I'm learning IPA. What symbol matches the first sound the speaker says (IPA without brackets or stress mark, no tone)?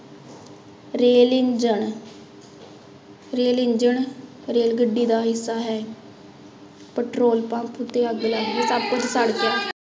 ɾ